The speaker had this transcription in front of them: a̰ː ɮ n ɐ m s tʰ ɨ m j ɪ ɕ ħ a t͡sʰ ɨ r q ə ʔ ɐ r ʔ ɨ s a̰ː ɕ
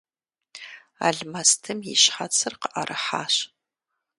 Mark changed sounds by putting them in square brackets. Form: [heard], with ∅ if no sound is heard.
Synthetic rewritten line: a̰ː ɮ [m] ɐ [∅] s tʰ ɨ m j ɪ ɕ ħ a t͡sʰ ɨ r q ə ʔ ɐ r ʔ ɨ [ħ] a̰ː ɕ